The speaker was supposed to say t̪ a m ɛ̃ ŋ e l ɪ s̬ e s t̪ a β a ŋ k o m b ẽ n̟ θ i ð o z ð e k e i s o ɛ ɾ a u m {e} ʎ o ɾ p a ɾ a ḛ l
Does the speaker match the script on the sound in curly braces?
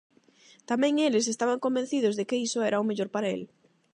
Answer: yes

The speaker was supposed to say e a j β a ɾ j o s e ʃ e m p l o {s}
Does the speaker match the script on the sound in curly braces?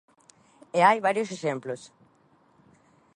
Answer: yes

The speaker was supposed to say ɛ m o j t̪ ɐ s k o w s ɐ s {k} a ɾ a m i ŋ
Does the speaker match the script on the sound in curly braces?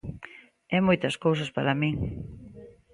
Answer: no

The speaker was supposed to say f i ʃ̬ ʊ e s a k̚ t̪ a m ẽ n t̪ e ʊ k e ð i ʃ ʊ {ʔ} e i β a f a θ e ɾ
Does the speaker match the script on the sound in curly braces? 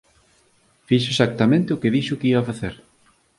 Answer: no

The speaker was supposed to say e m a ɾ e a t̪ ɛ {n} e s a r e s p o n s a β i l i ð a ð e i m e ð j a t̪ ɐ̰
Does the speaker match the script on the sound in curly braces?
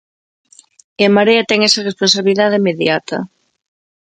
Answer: no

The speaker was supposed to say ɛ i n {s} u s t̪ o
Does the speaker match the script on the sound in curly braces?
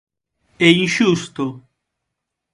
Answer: no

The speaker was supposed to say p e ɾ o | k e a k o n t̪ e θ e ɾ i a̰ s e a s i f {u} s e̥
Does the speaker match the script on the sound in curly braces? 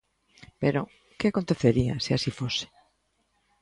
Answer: no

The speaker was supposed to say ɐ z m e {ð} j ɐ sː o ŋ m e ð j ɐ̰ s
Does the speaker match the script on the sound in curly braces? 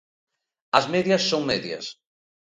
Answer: yes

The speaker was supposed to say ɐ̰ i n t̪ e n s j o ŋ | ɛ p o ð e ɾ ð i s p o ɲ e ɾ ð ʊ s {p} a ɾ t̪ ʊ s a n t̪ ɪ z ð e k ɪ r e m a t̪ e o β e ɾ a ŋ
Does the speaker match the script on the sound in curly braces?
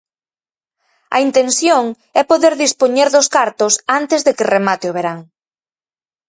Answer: no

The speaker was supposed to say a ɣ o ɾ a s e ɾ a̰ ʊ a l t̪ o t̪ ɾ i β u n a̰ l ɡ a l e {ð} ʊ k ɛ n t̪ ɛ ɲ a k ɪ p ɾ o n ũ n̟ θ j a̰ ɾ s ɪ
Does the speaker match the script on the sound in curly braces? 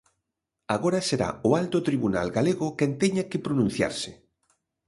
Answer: no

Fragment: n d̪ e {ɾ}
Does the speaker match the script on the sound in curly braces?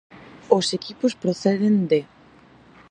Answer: no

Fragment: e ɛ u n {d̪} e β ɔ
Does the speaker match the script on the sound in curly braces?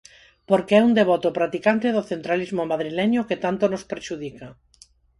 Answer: yes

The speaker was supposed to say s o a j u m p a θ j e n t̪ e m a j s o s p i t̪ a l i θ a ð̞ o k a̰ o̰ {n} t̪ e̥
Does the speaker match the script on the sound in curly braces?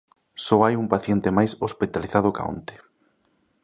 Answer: yes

